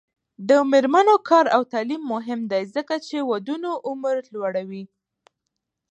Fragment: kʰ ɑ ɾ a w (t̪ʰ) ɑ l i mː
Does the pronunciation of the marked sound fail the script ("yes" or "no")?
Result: yes